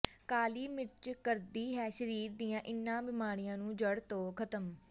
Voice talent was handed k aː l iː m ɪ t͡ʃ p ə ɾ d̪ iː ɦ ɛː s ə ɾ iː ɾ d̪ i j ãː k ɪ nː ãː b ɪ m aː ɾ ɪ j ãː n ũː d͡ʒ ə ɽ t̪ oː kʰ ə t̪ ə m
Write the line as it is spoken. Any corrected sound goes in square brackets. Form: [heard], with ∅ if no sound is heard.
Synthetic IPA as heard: k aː l iː m ɪ t͡ʃ [k] ə ɾ d̪ iː ɦ ɛː [ʃ] ə ɾ iː ɾ d̪ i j ãː [ʔ] ɪ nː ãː b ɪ m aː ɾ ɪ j ãː n ũː d͡ʒ ə ɽ t̪ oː kʰ ə t̪ ə m